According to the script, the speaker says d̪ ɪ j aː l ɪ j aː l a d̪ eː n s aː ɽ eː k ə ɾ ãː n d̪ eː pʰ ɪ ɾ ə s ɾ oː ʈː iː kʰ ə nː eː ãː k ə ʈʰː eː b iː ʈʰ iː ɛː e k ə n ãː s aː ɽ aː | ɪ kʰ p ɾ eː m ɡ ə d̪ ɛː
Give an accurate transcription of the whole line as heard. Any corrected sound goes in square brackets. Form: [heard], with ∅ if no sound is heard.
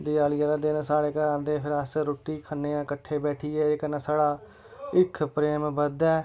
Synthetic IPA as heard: d̪ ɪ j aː l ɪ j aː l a d̪ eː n s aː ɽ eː k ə ɾ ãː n d̪ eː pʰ ɪ ɾ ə s ɾ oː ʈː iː kʰ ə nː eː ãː k ə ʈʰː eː b [ɛː] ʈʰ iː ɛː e k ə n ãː s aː ɽ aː | ɪ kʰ p ɾ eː m [b] ə d̪ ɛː

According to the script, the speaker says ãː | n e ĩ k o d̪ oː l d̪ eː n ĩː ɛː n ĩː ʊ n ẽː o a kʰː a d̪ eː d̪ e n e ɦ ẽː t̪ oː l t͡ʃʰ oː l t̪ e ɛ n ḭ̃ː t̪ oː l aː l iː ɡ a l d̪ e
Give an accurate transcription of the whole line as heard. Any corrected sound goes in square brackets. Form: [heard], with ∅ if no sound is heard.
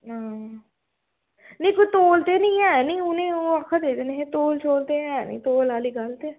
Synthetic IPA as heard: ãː | n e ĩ k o [t̪] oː l [t̪] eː n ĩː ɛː n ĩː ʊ n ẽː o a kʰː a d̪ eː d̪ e n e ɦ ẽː t̪ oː l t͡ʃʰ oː l t̪ e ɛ n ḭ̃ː t̪ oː l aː l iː ɡ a l [t̪] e

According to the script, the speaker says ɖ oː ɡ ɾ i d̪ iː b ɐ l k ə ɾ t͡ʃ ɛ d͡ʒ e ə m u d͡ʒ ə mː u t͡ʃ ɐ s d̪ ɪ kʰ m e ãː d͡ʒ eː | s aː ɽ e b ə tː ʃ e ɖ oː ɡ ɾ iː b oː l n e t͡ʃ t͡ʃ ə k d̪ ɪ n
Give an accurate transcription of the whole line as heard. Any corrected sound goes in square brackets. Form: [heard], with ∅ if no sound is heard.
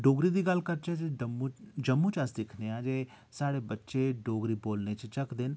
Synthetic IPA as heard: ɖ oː ɡ ɾ i d̪ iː [ɡ] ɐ l k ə ɾ t͡ʃ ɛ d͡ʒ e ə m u d͡ʒ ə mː u t͡ʃ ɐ s d̪ ɪ kʰ [n] e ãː d͡ʒ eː | s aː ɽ e b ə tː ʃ e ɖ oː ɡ ɾ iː b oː l n e t͡ʃ t͡ʃ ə k d̪ ɪ n

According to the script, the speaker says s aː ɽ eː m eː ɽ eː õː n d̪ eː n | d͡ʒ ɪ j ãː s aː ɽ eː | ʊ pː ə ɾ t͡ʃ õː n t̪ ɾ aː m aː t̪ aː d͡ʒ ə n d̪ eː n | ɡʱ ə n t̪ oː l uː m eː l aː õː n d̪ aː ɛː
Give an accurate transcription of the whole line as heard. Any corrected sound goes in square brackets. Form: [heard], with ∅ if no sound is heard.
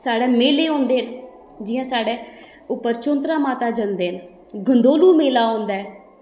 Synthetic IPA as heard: s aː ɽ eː m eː [l] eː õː n d̪ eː n | d͡ʒ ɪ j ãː s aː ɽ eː | ʊ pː ə ɾ t͡ʃ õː n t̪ ɾ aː m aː t̪ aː d͡ʒ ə n d̪ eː n | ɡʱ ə n [d̪] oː l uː m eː l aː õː n d̪ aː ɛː

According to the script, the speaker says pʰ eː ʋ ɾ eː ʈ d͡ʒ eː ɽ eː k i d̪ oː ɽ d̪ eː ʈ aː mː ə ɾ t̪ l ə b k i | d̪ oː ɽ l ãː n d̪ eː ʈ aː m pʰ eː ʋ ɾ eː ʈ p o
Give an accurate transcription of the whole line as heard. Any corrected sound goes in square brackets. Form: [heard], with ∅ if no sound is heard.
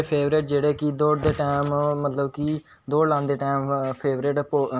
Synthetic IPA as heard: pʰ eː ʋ ɾ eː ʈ d͡ʒ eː ɽ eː k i d̪ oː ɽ d̪ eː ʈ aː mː ə [∅] t̪ l ə b k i | d̪ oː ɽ l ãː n d̪ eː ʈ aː m pʰ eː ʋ ɾ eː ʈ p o

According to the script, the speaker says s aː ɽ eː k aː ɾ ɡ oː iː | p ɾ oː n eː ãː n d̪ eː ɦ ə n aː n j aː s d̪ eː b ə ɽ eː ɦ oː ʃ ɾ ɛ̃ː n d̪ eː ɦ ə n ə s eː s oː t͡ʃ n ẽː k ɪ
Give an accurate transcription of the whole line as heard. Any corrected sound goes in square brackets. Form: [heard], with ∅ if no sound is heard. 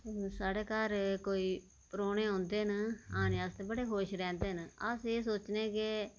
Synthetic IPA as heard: s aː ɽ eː k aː ɾ [k] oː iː | p ɾ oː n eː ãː n d̪ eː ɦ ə n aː n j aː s [t̪] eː b ə ɽ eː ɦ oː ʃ ɾ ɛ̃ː n d̪ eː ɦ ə n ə s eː s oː t͡ʃ n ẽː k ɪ

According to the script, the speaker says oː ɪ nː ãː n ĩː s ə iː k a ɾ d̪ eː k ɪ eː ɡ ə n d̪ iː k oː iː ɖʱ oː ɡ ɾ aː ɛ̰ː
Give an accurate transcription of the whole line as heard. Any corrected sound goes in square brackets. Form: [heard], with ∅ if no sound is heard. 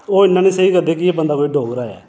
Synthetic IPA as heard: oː ɪ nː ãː n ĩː s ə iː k [ə] ɾ d̪ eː k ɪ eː [b] ə n d̪ [aː] k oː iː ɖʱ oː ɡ ɾ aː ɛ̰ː

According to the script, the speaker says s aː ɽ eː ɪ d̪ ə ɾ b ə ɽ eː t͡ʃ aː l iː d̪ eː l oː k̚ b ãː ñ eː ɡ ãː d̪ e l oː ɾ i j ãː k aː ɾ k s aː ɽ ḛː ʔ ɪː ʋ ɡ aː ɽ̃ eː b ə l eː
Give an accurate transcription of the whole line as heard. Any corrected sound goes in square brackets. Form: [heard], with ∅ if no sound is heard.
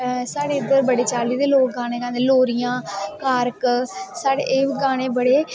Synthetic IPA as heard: s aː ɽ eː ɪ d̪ ə ɾ b ə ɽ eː t͡ʃ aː l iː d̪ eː l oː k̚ [ɡ] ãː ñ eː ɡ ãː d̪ e l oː ɾ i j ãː k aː ɾ k s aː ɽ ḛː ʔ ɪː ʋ ɡ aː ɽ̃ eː b ə [ɽ] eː

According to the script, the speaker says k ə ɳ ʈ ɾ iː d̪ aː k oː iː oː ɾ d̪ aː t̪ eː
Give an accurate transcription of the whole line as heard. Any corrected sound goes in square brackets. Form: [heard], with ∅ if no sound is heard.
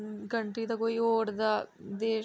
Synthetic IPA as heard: k ə ɳ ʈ ɾ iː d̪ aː k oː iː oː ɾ d̪ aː [d̪] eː

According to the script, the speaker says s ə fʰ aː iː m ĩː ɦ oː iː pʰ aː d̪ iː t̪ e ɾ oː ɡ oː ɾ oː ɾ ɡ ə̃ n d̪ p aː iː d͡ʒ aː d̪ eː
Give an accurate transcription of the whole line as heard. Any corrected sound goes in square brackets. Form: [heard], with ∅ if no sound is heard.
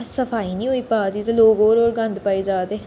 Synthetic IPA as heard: s ə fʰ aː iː [n] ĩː ɦ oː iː [p] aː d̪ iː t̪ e [l] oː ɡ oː ɾ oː ɾ ɡ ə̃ n d̪ p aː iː d͡ʒ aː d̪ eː

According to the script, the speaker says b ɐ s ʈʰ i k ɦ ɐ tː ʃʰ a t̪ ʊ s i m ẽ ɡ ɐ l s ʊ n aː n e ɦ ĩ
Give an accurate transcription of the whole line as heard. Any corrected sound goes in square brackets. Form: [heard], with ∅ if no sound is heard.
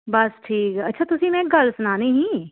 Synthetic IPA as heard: b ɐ s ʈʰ [iː] k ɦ ɐ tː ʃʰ a t̪ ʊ s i m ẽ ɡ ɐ l s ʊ n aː n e ɦ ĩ

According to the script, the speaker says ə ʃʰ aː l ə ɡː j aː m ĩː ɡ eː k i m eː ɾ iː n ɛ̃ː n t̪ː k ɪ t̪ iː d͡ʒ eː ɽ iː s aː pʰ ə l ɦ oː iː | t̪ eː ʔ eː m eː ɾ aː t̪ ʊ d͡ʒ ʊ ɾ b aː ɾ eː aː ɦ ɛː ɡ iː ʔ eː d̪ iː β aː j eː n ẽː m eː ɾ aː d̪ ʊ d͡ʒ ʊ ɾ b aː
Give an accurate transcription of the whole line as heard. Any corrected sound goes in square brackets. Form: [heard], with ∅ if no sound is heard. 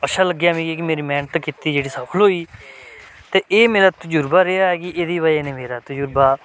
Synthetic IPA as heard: ə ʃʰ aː l ə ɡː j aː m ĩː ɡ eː k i m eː ɾ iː [m] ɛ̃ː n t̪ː k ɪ t̪ iː d͡ʒ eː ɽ iː s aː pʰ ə l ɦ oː iː | t̪ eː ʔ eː m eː ɾ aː t̪ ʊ d͡ʒ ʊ ɾ b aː ɾ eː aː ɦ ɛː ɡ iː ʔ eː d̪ iː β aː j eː n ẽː m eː ɾ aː [t̪] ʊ d͡ʒ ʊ ɾ b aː

